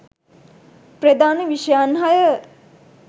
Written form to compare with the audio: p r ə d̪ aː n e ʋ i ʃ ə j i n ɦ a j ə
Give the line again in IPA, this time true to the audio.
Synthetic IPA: p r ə d̪ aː n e ʋ i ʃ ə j a n ɦ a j ə